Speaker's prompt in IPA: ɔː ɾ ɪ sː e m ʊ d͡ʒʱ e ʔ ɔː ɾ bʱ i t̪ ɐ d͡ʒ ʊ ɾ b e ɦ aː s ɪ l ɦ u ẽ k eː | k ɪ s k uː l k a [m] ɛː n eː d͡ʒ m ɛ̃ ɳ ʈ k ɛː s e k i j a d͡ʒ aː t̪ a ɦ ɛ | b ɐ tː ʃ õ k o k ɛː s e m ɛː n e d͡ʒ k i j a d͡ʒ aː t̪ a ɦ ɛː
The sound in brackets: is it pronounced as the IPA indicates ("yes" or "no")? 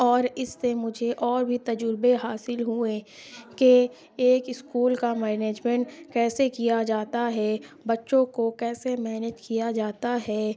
yes